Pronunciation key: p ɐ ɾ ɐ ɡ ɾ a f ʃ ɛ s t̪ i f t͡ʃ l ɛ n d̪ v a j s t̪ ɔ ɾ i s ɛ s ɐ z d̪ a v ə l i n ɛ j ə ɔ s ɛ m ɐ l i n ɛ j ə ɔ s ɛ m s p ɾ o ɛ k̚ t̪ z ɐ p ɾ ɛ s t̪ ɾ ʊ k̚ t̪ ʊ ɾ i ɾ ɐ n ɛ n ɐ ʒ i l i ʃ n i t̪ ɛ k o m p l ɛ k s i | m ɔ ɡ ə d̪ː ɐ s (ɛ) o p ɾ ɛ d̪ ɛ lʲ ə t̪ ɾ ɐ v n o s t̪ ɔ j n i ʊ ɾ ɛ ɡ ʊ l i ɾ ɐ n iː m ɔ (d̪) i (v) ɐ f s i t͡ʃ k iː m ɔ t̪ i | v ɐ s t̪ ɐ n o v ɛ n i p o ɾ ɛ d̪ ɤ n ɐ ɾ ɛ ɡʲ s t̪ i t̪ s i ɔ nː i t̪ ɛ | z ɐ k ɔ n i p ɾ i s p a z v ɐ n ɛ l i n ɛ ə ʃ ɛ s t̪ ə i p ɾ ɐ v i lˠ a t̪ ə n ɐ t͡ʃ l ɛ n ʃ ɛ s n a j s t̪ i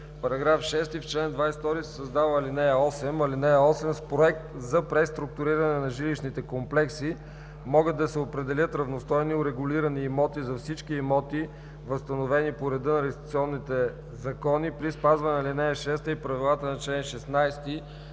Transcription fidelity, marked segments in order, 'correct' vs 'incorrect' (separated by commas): correct, incorrect, incorrect